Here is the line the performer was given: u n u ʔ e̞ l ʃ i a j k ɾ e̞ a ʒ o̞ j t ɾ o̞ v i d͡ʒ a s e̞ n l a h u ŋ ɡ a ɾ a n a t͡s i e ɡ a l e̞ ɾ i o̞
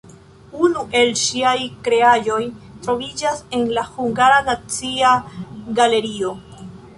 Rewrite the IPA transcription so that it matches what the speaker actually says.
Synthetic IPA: u n u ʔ e̞ l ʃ i a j k ɾ e̞ a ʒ o̞ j t ɾ o̞ v i d͡ʒ a s e̞ n l a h u ŋ ɡ a ɾ a n a t͡s i a ɡ a l e̞ ɾ i o̞